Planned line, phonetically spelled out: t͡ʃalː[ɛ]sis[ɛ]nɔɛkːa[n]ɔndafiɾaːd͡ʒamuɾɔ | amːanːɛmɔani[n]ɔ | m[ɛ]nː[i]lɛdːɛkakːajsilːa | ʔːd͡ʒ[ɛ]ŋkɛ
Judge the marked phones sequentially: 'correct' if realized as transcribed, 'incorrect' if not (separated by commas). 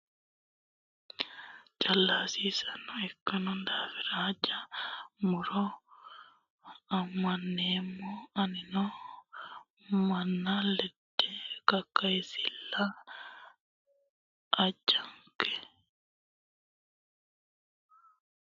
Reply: incorrect, incorrect, correct, correct, incorrect, incorrect, incorrect